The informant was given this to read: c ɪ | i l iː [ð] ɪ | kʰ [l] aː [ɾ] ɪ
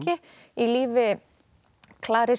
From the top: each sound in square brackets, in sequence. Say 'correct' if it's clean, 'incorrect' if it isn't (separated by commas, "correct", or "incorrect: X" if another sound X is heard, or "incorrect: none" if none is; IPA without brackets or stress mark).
incorrect: v, correct, correct